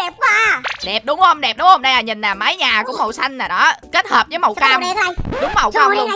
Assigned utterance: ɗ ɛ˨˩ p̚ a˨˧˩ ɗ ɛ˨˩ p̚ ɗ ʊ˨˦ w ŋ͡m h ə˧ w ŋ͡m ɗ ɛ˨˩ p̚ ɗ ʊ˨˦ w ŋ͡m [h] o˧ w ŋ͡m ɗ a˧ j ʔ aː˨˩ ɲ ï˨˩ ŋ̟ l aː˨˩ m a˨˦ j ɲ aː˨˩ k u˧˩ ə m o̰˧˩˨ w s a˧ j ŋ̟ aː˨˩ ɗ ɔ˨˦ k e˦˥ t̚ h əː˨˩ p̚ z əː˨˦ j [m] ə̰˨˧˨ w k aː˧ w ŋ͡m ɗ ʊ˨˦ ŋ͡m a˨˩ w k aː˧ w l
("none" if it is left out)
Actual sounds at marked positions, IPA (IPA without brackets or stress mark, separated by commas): h, m